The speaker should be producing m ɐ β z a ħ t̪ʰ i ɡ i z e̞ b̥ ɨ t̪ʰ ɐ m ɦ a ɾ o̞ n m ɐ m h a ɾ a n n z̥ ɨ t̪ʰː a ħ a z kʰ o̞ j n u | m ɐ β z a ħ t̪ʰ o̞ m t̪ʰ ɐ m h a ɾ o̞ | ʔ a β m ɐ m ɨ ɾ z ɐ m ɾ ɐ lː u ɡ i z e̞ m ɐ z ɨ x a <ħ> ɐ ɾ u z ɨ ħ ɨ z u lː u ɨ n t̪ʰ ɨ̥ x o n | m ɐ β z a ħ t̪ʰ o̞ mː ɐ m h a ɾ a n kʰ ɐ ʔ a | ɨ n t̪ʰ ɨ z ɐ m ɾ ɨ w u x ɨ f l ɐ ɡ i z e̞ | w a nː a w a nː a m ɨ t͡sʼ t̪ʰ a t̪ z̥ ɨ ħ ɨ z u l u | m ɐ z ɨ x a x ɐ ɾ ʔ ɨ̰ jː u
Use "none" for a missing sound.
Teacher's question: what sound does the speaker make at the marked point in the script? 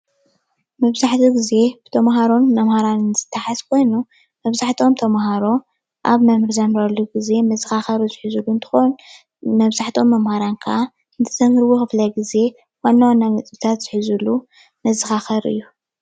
x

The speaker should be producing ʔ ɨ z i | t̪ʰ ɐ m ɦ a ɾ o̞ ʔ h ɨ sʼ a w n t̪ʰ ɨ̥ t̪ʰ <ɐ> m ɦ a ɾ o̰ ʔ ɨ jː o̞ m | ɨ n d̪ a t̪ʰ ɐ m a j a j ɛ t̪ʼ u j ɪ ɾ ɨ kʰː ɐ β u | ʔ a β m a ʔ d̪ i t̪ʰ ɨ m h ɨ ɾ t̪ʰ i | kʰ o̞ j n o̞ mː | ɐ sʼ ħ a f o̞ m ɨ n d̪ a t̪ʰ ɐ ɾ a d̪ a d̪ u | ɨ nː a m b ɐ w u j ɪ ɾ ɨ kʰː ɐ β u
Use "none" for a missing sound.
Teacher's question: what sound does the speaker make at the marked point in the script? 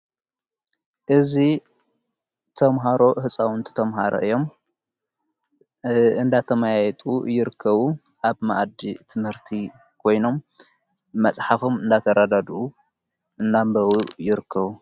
ɐ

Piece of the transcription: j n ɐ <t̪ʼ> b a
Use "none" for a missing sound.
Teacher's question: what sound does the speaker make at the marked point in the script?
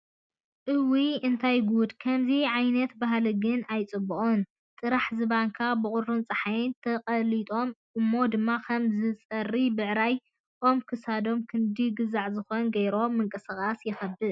t̪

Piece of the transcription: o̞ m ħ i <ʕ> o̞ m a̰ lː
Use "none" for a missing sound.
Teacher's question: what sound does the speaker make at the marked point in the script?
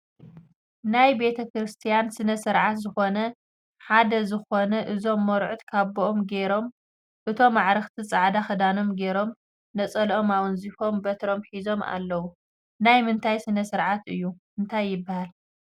z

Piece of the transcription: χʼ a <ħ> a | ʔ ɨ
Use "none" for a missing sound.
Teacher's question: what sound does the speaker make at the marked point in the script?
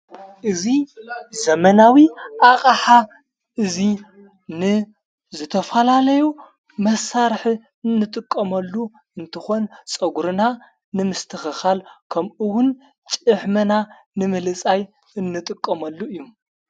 ħ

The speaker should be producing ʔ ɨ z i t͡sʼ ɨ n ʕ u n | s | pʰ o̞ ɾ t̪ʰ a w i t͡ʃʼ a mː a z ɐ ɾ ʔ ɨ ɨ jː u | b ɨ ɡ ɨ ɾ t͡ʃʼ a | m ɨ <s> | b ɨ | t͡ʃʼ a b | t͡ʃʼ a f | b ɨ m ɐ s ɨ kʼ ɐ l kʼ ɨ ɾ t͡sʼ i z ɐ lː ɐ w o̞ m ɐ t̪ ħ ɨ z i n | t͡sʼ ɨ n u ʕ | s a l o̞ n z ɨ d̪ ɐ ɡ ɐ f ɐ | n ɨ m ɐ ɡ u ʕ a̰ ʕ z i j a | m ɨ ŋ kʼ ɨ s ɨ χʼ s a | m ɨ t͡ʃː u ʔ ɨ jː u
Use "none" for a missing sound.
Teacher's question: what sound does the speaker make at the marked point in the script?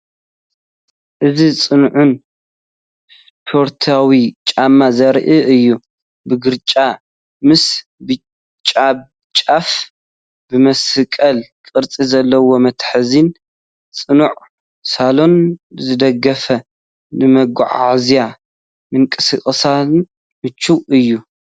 s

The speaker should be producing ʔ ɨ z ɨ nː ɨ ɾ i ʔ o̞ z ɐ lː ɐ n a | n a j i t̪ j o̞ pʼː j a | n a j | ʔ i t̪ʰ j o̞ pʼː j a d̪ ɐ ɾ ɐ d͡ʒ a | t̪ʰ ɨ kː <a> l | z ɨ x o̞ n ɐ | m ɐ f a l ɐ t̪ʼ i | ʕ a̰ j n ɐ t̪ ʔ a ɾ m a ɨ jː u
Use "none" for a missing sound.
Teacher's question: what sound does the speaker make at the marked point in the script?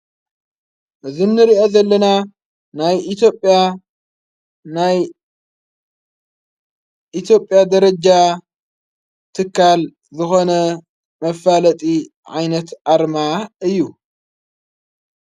a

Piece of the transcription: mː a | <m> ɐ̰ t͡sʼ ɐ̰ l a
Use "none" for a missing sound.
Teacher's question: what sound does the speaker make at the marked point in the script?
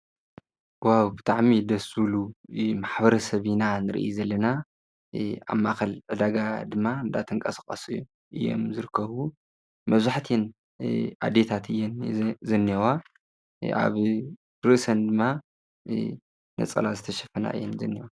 n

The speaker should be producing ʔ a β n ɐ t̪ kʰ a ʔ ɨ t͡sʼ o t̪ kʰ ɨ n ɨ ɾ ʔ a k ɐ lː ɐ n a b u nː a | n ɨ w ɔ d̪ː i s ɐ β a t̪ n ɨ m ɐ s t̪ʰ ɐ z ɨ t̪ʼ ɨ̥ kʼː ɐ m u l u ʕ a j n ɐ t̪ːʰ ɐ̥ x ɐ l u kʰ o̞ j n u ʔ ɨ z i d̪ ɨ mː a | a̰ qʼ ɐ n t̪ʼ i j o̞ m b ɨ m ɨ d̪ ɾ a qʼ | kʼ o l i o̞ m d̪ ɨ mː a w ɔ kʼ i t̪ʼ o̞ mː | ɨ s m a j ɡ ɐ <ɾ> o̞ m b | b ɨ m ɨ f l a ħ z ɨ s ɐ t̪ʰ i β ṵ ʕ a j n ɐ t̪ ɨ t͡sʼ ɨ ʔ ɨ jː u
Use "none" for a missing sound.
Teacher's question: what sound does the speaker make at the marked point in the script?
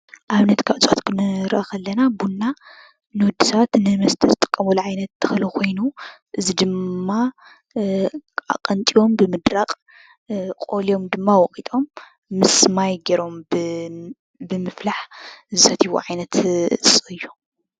ɾ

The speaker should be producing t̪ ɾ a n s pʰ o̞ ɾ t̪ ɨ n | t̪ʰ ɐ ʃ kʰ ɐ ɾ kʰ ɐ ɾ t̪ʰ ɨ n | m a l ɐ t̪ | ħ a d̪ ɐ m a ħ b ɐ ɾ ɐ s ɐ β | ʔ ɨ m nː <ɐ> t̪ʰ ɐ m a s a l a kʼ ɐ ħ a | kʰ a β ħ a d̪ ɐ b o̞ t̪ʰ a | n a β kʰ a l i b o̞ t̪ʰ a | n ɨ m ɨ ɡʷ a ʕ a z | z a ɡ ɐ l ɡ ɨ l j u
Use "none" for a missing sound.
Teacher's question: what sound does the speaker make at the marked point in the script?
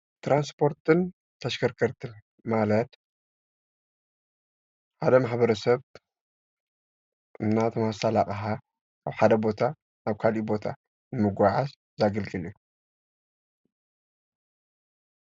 a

